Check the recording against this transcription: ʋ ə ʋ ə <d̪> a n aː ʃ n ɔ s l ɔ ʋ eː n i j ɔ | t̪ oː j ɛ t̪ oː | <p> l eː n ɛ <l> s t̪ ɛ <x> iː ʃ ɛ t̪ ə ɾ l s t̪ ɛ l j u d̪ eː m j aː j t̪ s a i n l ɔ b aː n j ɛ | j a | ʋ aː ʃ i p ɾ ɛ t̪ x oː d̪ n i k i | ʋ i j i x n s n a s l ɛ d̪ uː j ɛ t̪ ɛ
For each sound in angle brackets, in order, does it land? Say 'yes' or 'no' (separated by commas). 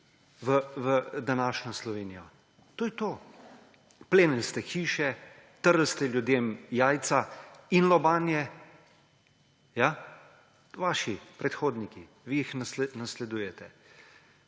yes, yes, yes, yes